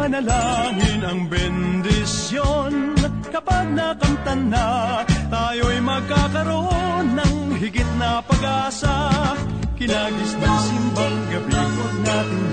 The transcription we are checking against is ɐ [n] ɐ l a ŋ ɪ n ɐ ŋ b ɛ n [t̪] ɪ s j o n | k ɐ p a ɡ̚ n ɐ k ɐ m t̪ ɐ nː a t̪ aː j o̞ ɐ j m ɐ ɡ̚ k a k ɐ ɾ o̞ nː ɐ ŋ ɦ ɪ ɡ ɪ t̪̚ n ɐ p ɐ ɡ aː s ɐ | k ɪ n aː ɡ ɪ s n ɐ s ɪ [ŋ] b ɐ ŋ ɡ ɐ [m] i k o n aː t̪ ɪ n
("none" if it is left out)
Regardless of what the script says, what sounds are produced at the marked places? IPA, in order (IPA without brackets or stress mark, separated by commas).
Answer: n, d̪, m, b